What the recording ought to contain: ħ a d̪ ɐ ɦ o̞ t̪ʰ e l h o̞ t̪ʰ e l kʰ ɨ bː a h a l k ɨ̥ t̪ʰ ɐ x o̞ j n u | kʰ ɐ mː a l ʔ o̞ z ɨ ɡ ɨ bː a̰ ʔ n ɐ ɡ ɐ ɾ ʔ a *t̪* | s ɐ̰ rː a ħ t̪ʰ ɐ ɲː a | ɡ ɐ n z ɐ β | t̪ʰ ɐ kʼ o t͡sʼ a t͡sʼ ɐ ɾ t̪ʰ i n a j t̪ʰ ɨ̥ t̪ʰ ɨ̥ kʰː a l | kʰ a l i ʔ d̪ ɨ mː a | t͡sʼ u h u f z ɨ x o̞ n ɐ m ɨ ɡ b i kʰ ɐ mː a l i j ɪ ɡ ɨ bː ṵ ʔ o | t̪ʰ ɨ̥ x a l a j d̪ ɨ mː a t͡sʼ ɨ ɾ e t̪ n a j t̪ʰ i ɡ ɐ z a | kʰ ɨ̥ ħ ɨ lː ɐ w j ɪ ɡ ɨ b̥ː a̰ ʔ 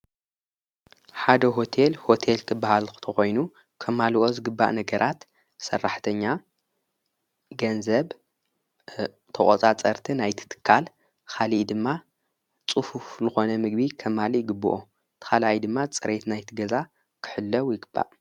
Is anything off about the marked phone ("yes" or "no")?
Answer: no